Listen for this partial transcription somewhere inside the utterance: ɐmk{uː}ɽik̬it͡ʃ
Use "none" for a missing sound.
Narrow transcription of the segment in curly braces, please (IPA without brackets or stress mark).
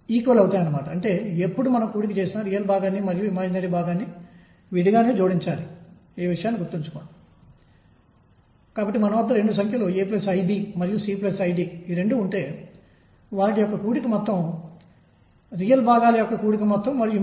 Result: uː